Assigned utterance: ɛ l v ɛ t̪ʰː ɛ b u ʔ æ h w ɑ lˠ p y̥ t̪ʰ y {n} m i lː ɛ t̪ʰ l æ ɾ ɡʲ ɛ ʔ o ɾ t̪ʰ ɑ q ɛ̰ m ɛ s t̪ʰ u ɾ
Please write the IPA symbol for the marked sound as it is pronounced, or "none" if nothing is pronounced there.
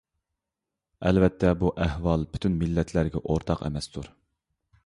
n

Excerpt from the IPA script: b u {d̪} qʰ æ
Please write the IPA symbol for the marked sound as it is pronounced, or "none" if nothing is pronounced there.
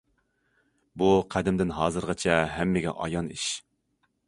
none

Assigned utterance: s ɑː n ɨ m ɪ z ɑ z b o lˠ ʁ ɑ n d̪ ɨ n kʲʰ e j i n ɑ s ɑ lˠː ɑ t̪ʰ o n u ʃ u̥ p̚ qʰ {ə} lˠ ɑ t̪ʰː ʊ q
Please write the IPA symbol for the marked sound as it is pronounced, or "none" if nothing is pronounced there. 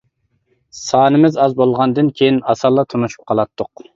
ɑ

